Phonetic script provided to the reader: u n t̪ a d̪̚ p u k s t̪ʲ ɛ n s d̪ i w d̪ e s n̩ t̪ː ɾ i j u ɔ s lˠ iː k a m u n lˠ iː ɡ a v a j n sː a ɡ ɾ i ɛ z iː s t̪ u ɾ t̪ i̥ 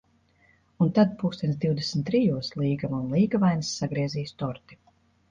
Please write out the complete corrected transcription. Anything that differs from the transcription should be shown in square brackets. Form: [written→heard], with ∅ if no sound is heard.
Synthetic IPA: u n t̪ a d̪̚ p u k s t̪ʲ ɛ n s d̪ i w d̪ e s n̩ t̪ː ɾ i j u ɔ s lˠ iː [k→ɡ] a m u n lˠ iː ɡ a v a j n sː a ɡ ɾ i ɛ z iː s t̪ [u→ɔ] ɾ t̪ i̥